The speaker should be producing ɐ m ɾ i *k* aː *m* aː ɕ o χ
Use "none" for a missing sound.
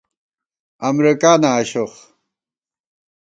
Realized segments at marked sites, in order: k, n

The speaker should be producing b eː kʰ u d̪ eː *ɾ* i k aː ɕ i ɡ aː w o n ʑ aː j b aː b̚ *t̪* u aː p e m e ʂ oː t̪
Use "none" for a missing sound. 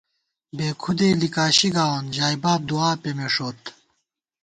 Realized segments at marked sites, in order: l, d̪

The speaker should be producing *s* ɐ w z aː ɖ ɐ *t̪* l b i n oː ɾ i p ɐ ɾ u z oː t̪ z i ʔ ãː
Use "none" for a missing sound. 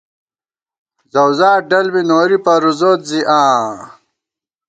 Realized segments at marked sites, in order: z, none

